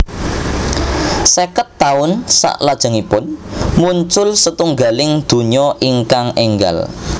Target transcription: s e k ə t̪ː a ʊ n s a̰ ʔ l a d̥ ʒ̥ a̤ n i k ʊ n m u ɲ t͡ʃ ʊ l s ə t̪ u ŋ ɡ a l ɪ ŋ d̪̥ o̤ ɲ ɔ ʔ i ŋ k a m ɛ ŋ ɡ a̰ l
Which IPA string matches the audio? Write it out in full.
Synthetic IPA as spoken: s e k ə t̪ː a ʊ n s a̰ ʔ l a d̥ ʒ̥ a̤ ŋ i p ʊ n m u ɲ t͡ʃ ʊ l s ə t̪ u ŋ ɡ a l ɪ ŋ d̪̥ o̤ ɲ ɔ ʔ i ŋ k a ŋ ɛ ŋ ɡ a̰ l